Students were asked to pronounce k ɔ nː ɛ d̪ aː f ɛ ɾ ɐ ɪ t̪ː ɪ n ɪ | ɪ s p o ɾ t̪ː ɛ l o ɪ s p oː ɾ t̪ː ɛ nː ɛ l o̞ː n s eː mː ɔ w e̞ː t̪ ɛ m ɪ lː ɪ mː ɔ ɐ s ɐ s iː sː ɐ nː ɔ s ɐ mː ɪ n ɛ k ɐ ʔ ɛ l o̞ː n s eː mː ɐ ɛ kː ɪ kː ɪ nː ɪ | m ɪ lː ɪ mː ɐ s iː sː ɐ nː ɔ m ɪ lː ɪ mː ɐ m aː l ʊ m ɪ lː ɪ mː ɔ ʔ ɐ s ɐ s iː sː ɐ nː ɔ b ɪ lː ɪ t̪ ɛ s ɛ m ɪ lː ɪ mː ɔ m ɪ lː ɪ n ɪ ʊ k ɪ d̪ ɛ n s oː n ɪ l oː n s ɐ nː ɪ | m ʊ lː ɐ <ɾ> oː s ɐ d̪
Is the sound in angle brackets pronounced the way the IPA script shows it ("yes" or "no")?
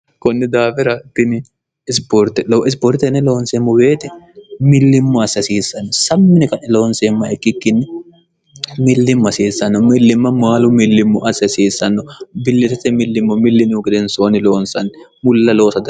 no